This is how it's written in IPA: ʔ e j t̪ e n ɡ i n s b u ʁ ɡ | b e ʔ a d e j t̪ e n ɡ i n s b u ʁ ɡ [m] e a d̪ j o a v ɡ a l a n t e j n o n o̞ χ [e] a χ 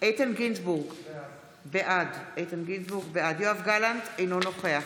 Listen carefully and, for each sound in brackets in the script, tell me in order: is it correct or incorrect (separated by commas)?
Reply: incorrect, correct